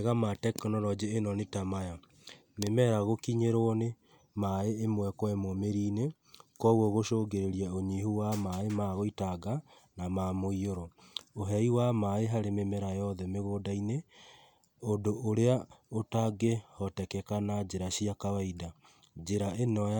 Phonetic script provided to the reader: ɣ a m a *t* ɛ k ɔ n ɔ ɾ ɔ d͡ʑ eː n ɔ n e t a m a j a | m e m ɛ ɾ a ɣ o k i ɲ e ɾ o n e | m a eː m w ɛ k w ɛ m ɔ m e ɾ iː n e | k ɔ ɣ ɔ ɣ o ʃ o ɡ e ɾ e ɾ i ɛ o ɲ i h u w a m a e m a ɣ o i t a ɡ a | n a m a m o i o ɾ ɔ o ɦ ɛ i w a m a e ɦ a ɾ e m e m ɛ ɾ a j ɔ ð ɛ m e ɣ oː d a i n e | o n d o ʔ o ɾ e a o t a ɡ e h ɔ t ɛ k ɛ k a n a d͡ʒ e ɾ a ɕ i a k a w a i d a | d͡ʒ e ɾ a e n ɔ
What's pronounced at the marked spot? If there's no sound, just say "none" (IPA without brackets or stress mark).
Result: t